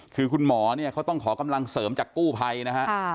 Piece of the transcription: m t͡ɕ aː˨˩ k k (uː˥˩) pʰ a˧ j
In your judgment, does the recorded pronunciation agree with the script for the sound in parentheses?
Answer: yes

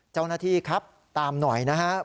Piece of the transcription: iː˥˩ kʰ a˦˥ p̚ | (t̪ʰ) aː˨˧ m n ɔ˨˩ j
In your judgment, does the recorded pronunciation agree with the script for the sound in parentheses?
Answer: no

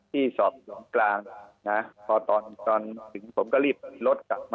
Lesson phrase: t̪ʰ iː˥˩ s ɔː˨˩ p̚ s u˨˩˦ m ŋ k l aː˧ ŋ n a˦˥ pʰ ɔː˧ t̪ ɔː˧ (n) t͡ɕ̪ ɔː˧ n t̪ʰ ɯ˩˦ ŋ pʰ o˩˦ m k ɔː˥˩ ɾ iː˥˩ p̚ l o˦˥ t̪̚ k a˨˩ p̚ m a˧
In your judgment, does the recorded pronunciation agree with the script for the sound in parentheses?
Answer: yes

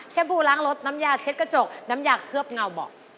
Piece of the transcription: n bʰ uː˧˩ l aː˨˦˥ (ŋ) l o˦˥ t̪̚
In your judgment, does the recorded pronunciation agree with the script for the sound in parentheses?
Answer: yes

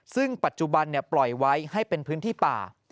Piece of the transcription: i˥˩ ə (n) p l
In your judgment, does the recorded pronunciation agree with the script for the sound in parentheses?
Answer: no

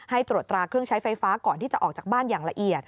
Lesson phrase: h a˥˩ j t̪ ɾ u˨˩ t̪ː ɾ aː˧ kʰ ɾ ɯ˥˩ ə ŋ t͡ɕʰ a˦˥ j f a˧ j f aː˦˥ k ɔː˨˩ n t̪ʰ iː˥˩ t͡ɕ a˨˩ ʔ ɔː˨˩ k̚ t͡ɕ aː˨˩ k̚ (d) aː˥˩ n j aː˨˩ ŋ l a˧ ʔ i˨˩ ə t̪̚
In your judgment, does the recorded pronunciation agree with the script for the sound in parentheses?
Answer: no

